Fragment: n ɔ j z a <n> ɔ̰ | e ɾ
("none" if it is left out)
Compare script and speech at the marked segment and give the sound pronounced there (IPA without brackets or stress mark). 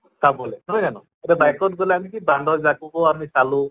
n